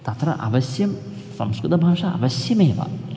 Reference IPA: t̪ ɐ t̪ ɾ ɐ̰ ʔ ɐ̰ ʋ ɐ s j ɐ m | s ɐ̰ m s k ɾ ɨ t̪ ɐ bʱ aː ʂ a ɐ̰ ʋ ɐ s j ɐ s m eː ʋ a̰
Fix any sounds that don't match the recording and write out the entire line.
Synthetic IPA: t̪ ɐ t̪ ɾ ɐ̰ ʔ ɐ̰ ʋ ɐ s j ɐ m | s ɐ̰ m s k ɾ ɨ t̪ ɐ bʱ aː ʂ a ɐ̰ ʋ ɐ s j ɐ m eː ʋ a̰